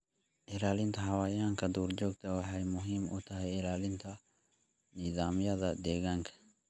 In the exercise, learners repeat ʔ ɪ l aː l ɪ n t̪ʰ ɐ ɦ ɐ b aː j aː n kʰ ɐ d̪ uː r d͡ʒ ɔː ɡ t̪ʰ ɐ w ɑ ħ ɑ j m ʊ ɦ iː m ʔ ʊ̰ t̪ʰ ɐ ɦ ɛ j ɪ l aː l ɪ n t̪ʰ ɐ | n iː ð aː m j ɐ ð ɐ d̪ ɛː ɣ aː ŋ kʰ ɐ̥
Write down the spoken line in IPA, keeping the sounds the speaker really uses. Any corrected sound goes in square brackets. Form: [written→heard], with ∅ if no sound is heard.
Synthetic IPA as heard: ʔ ɪ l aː l ɪ n t̪ʰ ɐ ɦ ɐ [b→w] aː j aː [n→ŋ] kʰ ɐ d̪ uː r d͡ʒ ɔː ɡ t̪ʰ ɐ w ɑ ħ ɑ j m ʊ ɦ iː m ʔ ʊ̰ t̪ʰ ɐ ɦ ɛ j ɪ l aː l ɪ n t̪ʰ ɐ | n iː ð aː m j ɐ ð ɐ d̪ ɛː ɣ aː ŋ kʰ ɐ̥